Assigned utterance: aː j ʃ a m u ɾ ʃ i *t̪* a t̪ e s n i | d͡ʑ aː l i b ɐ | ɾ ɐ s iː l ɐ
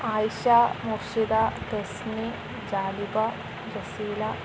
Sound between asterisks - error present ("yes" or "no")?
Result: yes